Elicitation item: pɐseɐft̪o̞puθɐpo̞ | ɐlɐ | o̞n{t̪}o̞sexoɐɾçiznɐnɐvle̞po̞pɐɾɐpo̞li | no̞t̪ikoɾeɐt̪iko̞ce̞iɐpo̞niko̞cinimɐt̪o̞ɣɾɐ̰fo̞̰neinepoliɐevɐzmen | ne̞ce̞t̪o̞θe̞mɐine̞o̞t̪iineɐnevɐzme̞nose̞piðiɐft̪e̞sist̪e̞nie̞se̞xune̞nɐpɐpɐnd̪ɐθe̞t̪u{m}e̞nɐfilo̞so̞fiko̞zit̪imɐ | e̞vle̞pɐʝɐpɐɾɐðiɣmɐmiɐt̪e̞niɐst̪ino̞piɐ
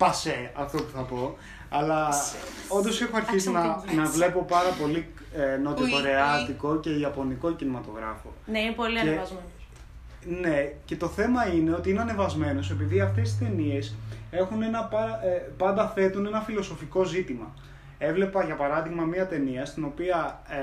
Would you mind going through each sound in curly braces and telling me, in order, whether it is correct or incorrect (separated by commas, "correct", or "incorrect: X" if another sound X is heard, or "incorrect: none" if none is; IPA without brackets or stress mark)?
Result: incorrect: d̪, incorrect: n